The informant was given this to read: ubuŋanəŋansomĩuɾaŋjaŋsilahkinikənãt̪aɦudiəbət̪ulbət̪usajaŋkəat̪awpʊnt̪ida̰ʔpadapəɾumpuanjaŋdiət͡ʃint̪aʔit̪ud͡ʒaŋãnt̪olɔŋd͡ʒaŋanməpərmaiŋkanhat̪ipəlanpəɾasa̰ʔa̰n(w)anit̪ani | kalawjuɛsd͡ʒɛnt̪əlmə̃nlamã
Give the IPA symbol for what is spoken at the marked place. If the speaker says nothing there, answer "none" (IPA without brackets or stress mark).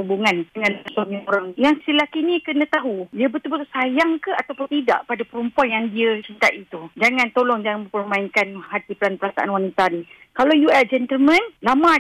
w